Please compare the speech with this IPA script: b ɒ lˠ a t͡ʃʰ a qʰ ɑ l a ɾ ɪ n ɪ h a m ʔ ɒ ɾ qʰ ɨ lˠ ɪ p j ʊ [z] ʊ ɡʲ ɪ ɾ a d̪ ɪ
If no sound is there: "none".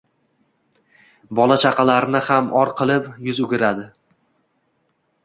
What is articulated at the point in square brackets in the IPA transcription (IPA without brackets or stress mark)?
z